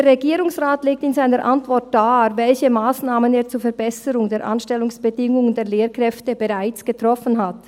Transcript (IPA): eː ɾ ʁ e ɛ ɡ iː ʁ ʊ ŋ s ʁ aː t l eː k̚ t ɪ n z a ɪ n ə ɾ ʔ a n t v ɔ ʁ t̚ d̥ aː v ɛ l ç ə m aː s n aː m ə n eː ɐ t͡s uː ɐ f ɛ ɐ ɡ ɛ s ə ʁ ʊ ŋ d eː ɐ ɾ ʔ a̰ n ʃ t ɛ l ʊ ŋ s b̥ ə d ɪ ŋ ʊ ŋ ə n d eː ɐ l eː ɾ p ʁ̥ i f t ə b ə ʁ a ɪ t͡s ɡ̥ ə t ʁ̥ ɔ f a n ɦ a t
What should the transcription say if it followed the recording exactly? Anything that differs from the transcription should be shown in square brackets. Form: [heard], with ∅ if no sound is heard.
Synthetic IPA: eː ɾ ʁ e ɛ ɡ iː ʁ ʊ ŋ s ʁ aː t l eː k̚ t ɪ n z a ɪ n ə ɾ ʔ a n t v ɔ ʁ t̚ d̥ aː v ɛ l ç ə m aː s n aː m ə n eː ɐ t͡s uː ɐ f ɛ ɐ [b] ɛ s ə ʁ ʊ ŋ d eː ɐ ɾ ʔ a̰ n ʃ t ɛ l ʊ ŋ s b̥ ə d ɪ ŋ ʊ ŋ ə n d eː ɐ l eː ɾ [k] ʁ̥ [ɛ] f t ə b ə ʁ a ɪ t͡s ɡ̥ ə t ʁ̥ ɔ f [ə] n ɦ a t